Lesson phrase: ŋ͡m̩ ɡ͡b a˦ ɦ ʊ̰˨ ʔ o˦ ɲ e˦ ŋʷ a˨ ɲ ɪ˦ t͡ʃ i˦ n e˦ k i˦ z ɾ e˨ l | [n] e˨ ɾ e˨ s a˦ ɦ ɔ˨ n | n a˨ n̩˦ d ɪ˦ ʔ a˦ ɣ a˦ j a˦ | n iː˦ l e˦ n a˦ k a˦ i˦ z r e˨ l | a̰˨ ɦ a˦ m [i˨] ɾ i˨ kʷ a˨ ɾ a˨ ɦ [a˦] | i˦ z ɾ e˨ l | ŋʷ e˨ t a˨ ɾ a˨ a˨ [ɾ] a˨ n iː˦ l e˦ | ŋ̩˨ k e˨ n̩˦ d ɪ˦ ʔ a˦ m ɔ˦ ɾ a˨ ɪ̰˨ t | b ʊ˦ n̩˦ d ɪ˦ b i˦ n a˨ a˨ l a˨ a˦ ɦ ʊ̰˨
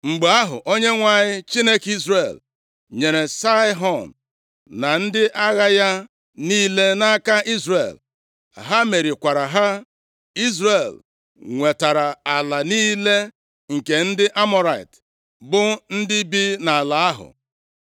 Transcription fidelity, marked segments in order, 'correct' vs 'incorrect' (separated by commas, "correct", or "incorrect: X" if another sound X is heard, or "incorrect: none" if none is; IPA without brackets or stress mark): incorrect: ɲ, incorrect: e˨, correct, incorrect: l